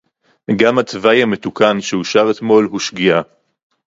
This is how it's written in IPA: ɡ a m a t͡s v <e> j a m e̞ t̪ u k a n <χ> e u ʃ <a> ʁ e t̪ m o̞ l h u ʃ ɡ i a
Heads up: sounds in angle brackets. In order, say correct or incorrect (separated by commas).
incorrect, incorrect, correct